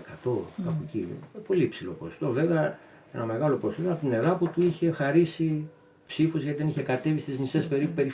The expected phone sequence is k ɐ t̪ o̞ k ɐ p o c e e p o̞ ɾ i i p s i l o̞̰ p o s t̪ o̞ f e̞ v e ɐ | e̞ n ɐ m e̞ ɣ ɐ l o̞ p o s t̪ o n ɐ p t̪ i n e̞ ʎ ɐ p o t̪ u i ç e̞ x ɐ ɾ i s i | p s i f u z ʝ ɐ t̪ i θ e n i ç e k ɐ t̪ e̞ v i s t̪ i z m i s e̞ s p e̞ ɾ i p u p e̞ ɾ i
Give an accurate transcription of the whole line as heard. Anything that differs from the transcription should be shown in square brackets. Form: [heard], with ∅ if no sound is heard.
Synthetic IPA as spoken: k ɐ t̪ o̞ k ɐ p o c [i] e p o̞ [l] i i p s i l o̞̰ p o s t̪ o̞ [v] e̞ v e ɐ | e̞ n ɐ m e̞ ɣ ɐ l o̞ p o s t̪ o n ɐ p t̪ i n e̞ [ɾ] ɐ p [u] t̪ u i ç e̞ x ɐ ɾ i s i | p s i f u z ʝ ɐ t̪ i [ð] e n i ç e k ɐ t̪ e̞ v i s t̪ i z m i s e̞ s p e̞ ɾ i p u p e̞ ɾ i